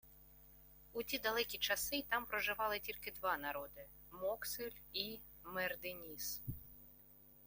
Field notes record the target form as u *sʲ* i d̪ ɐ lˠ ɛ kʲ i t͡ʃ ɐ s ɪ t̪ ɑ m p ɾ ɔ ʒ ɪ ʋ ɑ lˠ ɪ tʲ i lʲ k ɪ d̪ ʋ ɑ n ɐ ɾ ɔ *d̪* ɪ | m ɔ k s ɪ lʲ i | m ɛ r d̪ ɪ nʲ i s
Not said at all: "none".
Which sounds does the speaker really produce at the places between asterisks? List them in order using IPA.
tʲ, d̪

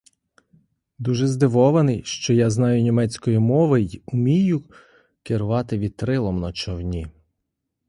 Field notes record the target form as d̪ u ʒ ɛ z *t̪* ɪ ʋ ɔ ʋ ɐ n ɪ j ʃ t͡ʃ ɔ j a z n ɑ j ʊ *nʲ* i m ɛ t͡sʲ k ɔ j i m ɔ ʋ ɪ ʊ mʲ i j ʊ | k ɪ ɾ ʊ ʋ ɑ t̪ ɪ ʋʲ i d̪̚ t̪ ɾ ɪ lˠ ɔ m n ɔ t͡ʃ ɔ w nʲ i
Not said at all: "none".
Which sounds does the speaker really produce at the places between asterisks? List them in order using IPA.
d̪, nʲ

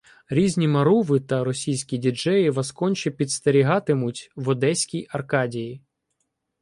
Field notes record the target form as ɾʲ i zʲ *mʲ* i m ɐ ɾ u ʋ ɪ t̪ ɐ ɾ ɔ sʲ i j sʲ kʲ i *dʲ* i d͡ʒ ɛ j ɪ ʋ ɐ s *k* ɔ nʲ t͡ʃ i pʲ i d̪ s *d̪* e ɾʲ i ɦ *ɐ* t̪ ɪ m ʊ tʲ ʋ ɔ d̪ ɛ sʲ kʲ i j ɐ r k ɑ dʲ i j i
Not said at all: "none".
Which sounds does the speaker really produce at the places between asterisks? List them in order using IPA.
nʲ, dʲ, k, t̪, ɑ

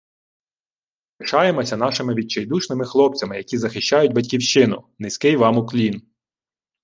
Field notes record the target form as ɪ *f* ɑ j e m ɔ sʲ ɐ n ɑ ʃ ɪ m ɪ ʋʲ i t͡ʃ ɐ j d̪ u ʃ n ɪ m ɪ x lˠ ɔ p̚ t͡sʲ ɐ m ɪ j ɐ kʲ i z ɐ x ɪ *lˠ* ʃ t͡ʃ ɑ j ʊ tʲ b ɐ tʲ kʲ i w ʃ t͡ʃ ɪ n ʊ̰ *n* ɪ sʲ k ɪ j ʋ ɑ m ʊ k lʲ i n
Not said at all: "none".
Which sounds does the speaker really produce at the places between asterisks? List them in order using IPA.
ʃ, none, n

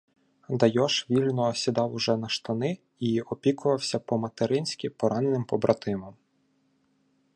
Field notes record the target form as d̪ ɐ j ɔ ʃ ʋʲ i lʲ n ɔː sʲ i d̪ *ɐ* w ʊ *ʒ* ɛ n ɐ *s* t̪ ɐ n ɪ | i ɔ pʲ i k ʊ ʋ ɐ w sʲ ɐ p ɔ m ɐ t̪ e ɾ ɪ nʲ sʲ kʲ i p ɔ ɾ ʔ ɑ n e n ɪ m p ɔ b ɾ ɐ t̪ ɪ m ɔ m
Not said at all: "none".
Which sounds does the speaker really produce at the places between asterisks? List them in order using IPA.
ɑ, ʒ, ʃ

